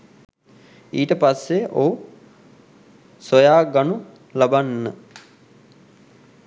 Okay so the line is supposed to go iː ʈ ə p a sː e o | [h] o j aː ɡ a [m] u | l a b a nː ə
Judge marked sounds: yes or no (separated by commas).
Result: no, no